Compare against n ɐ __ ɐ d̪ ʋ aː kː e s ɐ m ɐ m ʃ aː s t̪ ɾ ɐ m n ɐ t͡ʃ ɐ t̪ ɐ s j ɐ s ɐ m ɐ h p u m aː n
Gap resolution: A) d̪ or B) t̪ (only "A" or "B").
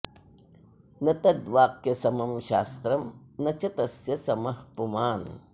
B